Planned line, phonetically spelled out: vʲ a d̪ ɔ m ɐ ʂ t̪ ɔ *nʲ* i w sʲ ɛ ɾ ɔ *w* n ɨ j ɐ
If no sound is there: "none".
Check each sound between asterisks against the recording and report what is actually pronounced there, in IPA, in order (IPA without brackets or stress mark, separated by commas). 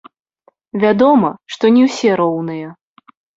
nʲ, w